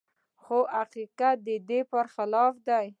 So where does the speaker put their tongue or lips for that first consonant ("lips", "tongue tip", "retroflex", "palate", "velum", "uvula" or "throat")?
velum